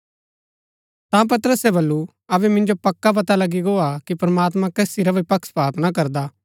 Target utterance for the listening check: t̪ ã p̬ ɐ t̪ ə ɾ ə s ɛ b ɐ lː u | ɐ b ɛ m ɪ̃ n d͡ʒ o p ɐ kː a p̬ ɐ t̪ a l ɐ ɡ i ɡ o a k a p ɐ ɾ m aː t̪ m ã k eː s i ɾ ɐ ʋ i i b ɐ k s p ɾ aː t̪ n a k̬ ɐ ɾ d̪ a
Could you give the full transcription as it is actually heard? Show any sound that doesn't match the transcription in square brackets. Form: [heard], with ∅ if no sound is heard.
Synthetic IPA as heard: t̪ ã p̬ ɐ t̪ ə ɾ ə s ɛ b ɐ lː u | ɐ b ɛ m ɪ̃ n d͡ʒ o p ɐ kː a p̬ ɐ t̪ a l ɐ ɡ i ɡ o a k [i] p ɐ ɾ m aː t̪ m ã k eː s i ɾ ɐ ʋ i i [p] ɐ k s p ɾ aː t̪ n a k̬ ɐ ɾ d̪ a